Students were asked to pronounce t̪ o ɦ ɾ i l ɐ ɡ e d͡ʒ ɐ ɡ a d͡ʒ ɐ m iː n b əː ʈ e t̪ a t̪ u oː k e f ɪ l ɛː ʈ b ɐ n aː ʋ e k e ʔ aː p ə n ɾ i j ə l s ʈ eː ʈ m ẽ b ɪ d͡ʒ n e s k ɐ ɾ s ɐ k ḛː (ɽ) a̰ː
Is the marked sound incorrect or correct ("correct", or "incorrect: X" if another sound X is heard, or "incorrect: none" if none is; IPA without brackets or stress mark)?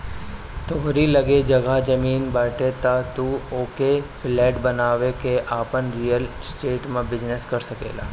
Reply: incorrect: l